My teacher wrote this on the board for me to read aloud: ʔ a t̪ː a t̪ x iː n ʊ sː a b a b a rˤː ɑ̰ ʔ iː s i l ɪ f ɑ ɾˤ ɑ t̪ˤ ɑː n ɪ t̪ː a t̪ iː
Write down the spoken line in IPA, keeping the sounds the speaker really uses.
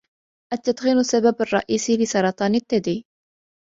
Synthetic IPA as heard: ʔ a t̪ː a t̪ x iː n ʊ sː a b a b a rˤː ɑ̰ ʔ iː s i l ɪ s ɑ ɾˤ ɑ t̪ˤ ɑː n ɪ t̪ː a d̪ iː